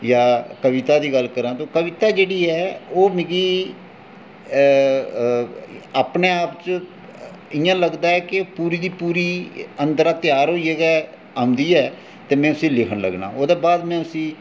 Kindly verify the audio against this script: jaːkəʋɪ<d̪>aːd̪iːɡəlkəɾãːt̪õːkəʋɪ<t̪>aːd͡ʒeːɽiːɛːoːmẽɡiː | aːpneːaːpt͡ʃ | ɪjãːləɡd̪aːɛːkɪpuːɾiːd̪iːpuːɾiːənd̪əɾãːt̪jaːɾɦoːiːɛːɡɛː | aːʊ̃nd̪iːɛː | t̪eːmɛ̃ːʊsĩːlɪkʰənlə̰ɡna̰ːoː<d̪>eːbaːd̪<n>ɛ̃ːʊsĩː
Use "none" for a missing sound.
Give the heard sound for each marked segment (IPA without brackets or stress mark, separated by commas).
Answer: t̪, t̪, d̪, m